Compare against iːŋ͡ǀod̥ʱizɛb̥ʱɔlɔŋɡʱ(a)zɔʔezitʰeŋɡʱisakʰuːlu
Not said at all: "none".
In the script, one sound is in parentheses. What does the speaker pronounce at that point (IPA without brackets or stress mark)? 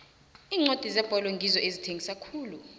i